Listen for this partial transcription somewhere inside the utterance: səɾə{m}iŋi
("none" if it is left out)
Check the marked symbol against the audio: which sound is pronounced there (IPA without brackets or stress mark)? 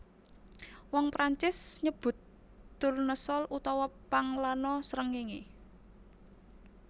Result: ŋ